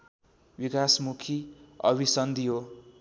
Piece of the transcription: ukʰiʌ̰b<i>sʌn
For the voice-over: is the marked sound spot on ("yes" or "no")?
yes